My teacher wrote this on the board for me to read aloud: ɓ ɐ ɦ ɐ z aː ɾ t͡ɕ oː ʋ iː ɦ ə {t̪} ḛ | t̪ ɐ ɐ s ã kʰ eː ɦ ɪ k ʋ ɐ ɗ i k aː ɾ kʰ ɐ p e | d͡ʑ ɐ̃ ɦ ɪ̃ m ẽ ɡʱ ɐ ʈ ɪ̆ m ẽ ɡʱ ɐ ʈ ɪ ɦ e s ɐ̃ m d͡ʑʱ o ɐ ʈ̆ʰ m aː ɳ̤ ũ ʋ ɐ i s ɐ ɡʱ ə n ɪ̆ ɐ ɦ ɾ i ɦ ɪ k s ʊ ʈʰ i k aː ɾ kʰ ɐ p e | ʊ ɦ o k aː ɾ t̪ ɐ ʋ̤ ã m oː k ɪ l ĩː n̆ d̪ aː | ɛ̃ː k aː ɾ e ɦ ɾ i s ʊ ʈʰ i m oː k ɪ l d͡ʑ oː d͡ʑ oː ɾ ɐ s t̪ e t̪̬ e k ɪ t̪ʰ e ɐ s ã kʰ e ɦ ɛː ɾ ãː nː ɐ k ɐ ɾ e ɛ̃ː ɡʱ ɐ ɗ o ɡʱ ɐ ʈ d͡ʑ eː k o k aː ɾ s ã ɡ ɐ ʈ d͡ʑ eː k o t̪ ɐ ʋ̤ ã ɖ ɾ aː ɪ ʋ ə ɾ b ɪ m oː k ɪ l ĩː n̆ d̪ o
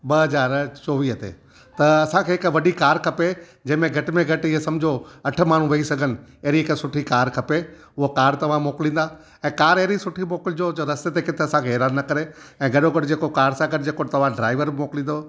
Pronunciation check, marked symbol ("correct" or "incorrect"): correct